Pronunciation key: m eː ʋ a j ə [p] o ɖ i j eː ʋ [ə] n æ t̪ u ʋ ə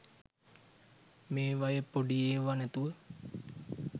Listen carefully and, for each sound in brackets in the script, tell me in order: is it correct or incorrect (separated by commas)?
correct, incorrect